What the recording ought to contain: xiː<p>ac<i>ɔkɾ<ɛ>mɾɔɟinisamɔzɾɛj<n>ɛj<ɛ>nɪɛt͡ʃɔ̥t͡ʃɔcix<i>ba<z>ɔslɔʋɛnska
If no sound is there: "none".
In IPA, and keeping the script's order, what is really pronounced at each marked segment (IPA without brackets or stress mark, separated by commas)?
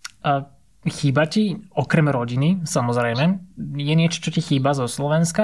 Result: b, i, ɛ, m, ɛ, iː, z